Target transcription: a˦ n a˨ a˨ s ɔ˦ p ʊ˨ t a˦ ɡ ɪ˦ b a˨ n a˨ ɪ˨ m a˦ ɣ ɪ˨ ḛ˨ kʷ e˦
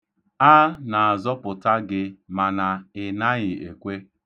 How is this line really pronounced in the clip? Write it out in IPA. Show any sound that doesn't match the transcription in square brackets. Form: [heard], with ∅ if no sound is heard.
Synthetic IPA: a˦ n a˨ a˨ [z] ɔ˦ p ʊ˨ t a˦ ɡ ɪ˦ [m] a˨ n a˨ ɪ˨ [n] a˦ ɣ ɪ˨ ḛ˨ kʷ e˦